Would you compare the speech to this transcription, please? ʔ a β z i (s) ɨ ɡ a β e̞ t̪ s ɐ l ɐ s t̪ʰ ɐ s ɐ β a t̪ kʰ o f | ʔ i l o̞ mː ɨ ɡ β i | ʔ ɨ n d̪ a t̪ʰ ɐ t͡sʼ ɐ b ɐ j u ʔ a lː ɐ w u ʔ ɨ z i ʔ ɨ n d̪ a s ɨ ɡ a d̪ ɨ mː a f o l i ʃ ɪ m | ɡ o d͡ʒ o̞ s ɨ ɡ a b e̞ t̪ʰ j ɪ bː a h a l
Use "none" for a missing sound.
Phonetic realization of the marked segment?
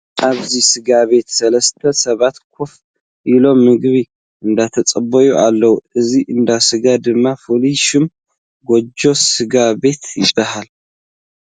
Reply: s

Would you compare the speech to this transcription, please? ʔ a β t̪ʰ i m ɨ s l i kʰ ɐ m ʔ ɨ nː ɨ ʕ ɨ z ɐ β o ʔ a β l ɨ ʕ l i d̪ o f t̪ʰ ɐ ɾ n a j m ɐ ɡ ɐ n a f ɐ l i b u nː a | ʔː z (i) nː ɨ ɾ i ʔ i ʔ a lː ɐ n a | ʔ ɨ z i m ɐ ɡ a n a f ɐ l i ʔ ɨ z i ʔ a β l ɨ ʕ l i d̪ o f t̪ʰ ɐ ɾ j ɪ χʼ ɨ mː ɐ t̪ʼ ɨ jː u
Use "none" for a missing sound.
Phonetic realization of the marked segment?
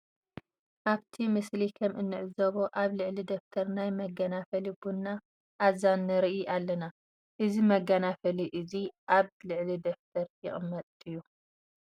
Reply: a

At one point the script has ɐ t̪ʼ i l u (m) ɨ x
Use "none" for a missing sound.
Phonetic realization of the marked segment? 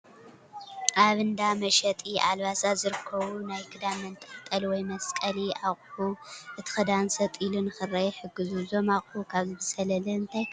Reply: n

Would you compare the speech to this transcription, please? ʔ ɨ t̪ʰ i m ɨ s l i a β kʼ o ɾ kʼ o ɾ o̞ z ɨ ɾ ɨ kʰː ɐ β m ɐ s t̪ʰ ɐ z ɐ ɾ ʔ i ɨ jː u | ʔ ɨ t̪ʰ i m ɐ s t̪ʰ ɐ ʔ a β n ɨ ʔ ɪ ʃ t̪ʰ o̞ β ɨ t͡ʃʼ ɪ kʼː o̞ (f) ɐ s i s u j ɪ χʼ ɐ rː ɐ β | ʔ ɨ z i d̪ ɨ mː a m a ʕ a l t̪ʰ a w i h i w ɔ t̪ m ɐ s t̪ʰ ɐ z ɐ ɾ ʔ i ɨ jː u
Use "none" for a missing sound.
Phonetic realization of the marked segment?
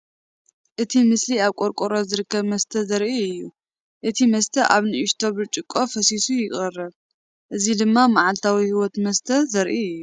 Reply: f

